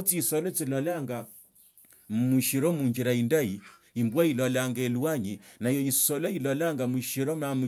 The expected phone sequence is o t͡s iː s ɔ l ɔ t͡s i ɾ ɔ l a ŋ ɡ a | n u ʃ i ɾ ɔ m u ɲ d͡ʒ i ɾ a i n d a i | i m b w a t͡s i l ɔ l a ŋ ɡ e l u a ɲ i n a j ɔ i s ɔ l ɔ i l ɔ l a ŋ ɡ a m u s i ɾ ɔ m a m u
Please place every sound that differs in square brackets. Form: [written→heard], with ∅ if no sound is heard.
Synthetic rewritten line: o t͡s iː s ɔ l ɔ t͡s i [ɾ→l] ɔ l a ŋ ɡ a | [n→m] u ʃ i ɾ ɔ m u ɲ d͡ʒ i ɾ a i n d a i | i m b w a [t͡s→∅] i l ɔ l a ŋ ɡ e l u a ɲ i n a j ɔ i s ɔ l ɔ i l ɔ l a ŋ ɡ a m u [s→ʃ] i ɾ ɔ m a m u

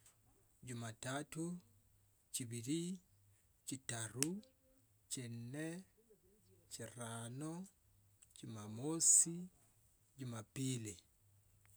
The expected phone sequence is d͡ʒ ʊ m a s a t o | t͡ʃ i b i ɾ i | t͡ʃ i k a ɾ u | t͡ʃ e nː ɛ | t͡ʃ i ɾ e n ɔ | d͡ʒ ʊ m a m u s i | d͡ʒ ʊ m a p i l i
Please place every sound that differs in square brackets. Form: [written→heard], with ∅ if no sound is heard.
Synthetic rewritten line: d͡ʒ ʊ m a [s→t] a t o | t͡ʃ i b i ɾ i | t͡ʃ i [k→t] a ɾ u | t͡ʃ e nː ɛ | t͡ʃ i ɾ [e→a] n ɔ | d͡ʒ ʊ m a m [u→o] s i | d͡ʒ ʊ m a p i l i

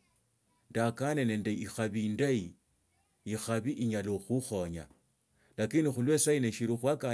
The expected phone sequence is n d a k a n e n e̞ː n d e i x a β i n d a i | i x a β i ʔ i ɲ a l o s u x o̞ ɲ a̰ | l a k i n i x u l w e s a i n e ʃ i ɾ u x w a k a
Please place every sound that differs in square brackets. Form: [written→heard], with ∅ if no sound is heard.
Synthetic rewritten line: n d a k a n e n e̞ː n d e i x a β i n d a i | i x a β i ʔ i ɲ a l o [s→x] u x o̞ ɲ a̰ | l a k i n i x u l w e s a i n e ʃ i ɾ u x w a k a

